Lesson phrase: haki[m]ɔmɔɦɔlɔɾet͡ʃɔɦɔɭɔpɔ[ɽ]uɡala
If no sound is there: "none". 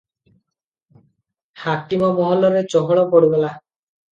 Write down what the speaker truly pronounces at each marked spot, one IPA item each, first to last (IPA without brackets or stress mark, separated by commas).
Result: m, ɽ